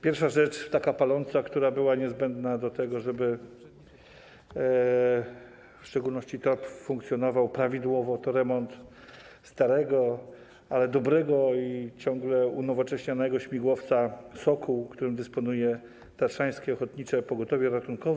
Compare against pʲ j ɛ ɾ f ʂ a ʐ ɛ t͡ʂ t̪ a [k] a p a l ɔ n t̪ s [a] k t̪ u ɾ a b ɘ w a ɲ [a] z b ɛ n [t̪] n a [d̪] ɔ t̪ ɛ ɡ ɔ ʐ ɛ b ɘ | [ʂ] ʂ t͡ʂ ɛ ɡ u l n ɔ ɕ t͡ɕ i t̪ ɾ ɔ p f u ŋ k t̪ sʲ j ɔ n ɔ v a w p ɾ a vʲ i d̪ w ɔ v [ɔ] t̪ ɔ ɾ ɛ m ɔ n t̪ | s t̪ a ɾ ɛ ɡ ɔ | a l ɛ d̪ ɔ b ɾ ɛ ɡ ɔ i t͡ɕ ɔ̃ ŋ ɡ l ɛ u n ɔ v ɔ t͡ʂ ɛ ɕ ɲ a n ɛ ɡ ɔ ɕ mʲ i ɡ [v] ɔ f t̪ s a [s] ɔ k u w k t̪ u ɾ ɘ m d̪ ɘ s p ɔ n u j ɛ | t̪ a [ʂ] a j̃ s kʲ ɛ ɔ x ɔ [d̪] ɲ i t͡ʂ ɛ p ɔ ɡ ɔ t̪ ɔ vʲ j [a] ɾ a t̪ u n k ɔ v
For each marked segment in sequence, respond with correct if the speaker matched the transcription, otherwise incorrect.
correct, correct, incorrect: ɛ, incorrect: d̪, correct, incorrect: f, correct, incorrect: w, correct, correct, incorrect: t̪, incorrect: ɛ

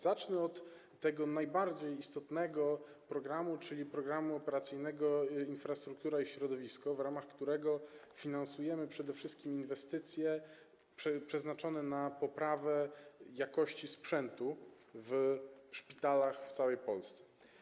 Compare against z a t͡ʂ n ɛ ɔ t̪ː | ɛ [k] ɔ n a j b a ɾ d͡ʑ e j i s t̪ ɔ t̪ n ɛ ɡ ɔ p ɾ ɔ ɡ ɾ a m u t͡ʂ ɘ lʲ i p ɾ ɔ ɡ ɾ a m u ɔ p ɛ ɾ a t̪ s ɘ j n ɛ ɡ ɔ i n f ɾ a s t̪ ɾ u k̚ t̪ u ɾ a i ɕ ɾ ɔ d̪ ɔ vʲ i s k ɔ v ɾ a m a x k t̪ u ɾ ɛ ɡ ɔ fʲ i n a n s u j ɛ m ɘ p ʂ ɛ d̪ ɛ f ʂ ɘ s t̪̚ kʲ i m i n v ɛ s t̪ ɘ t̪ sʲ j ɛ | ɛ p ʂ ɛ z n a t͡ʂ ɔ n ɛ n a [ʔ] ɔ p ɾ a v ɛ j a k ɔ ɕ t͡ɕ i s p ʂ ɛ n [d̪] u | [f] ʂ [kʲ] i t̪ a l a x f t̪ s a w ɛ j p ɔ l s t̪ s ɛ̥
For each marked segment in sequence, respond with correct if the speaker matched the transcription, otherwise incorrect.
incorrect: ɡ, incorrect: p, incorrect: t̪, incorrect: v, incorrect: pʲ

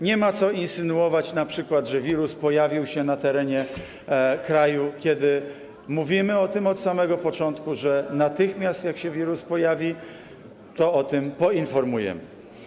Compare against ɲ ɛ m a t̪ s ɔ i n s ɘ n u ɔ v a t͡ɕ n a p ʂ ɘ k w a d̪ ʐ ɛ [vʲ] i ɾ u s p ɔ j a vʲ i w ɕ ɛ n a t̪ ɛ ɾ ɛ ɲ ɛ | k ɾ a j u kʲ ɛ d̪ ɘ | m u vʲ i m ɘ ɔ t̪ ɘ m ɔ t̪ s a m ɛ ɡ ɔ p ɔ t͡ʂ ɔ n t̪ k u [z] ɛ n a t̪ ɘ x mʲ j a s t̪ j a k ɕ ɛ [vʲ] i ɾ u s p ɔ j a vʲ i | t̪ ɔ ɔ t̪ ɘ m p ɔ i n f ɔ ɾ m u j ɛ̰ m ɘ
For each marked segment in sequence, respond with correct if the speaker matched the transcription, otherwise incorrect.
correct, incorrect: ʐ, correct

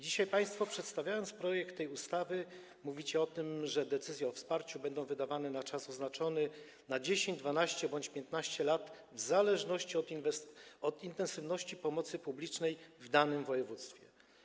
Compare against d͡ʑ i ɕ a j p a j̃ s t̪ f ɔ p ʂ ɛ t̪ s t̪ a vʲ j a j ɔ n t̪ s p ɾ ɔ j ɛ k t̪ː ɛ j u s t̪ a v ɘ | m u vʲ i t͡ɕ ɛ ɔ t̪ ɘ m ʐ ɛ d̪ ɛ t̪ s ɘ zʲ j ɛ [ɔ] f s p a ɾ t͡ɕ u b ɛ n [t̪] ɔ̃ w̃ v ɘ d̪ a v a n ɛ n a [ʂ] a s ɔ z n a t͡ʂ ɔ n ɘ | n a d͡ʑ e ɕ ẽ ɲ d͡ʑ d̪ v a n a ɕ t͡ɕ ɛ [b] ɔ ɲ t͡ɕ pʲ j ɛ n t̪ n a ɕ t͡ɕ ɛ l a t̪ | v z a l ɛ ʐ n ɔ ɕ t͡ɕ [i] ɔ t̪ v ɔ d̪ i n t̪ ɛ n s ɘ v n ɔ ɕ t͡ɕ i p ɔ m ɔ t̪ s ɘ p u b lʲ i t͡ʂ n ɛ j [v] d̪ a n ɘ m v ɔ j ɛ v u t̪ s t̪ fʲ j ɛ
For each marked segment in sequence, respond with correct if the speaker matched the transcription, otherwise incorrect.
correct, incorrect: d̪, incorrect: t͡ʂ, correct, correct, correct

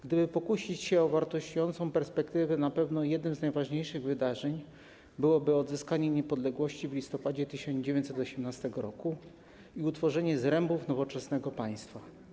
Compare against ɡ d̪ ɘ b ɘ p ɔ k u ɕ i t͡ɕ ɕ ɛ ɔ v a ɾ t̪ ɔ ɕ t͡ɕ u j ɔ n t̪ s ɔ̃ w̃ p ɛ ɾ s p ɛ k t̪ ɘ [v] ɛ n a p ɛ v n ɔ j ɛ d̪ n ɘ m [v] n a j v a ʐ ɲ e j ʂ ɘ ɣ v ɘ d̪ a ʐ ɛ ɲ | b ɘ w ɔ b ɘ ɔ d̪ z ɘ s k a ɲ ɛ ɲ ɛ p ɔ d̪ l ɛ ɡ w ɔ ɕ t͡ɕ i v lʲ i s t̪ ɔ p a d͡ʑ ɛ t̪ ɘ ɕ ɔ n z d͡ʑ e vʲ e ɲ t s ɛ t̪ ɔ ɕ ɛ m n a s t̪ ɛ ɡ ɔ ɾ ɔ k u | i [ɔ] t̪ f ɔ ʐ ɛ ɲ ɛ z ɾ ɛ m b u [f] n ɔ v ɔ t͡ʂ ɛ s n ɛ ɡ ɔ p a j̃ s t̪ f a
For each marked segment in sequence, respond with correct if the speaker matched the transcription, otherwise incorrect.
correct, incorrect: z, incorrect: u, correct

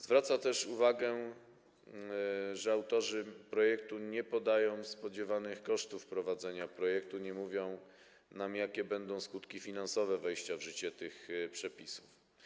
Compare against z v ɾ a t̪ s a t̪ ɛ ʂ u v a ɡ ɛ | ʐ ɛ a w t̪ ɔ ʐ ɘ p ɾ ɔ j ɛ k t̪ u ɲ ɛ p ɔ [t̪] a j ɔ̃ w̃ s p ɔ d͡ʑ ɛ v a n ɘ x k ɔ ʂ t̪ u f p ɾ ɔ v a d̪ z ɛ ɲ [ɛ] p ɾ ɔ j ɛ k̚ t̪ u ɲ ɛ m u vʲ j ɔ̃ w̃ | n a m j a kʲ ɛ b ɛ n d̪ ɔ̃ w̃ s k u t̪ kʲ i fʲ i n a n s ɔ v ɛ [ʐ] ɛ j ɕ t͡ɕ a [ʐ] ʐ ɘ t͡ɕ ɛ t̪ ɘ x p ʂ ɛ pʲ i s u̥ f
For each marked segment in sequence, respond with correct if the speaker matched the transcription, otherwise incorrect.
incorrect: d̪, incorrect: a, incorrect: v, incorrect: v

